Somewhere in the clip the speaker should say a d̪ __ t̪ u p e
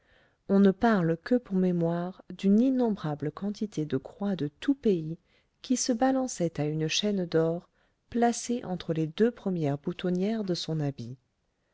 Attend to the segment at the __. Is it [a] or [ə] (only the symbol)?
ə